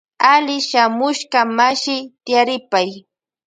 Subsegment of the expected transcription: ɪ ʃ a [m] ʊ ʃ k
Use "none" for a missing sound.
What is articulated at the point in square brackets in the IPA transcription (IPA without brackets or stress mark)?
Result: m